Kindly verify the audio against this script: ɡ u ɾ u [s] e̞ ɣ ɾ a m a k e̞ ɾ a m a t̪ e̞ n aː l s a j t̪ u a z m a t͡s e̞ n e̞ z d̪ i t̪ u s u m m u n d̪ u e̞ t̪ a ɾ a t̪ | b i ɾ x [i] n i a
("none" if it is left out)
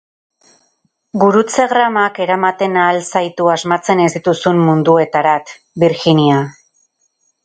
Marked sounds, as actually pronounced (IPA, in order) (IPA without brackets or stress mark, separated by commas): t͡s, i